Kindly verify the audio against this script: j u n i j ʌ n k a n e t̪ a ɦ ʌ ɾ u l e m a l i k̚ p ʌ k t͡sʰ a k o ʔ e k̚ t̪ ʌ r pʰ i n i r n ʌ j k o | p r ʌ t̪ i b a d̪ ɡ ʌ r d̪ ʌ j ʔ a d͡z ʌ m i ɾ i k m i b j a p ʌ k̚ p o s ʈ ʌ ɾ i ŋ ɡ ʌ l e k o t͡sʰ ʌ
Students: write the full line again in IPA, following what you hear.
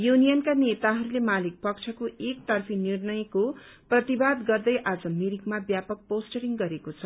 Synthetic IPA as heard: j u n i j ʌ n k a n e t̪ a ɦ ʌ ɾ u l e m a l i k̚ p ʌ k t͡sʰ ʌ k o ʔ e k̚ t̪ ʌ r pʰ i n i r n ʌ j k o | p r ʌ t̪ i b a d̪ ɡ ʌ r d̪ ʌ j ʔ a d͡z ʌ m i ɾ i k m a b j a p ʌ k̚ p o s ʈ ʌ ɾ i ŋ ɡ ʌ ɾ e k o t͡sʰ ʌ